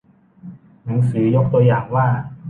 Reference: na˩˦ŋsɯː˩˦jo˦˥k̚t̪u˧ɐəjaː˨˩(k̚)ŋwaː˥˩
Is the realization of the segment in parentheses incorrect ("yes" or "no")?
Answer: yes